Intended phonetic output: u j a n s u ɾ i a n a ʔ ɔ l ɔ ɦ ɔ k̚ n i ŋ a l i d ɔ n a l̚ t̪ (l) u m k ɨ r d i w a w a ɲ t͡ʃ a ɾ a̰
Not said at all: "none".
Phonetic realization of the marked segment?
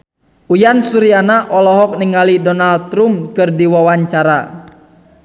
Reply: ɾ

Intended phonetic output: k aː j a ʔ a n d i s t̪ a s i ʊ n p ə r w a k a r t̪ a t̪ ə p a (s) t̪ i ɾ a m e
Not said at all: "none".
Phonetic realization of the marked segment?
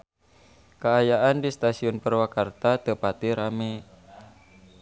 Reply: none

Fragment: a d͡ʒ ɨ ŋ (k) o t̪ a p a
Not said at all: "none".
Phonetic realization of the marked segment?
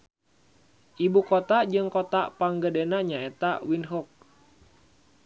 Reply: k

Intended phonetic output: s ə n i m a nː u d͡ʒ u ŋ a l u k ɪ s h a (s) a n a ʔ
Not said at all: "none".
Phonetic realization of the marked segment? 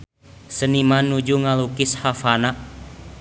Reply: f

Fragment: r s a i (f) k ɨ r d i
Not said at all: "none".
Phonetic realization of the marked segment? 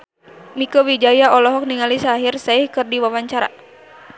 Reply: h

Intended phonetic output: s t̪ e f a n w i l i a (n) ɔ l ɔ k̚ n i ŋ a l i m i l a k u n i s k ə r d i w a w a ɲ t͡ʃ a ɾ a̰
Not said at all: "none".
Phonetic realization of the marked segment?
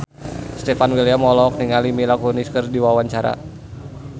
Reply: m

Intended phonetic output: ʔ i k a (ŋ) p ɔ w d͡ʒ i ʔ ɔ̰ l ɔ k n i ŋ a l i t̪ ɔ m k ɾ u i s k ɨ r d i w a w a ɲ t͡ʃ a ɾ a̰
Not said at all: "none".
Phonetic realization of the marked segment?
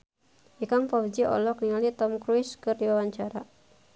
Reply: ŋ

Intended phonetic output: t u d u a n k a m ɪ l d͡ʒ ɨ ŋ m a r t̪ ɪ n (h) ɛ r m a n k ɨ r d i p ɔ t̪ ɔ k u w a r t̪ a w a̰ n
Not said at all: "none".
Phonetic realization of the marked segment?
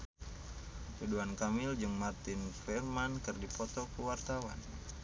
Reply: f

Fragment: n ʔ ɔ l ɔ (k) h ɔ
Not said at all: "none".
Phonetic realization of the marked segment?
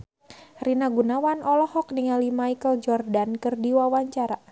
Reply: none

